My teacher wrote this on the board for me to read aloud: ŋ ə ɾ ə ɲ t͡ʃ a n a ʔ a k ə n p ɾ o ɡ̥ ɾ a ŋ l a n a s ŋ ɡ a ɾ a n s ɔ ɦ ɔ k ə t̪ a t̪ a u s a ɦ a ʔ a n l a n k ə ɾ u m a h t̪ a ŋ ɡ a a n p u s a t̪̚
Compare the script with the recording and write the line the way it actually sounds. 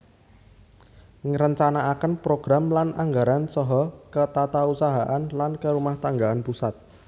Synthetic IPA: ŋ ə ɾ ə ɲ t͡ʃ a n a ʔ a k ə n p ɾ o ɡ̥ ɾ a m l a n a ŋ ɡ a ɾ a n s ɔ ɦ ɔ k ə t̪ a t̪ a u s a ɦ a ʔ a n l a n k ə ɾ u m a h t̪ a ŋ ɡ a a n p u s a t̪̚